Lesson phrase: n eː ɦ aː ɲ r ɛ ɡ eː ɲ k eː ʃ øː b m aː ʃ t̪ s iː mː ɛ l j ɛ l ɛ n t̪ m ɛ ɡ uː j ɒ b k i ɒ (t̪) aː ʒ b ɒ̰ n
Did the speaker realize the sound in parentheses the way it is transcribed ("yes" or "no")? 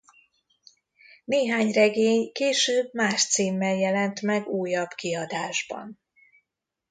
no